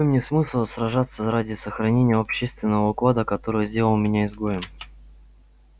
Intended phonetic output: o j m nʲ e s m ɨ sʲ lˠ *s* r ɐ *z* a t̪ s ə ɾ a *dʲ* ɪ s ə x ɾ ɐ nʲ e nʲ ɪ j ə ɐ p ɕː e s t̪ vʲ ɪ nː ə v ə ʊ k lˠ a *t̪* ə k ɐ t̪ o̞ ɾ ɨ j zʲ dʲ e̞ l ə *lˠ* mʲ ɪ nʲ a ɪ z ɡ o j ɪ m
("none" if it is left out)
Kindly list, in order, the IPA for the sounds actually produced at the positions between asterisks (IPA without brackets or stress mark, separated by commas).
s, ʐ, dʲ, d̪, lˠ